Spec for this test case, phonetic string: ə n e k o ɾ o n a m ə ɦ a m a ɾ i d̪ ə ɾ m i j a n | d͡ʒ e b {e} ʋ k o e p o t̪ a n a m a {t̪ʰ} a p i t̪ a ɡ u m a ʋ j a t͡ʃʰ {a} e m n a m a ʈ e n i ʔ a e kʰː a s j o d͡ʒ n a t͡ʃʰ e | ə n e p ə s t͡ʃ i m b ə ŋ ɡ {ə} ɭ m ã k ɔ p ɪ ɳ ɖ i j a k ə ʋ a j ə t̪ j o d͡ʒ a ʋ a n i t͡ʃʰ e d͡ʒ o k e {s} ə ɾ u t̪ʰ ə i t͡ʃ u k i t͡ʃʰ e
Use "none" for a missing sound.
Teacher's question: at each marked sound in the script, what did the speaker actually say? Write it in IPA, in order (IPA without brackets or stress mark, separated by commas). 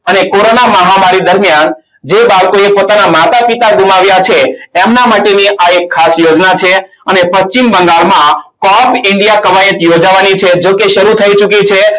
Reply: a, t̪, e, a, ʃ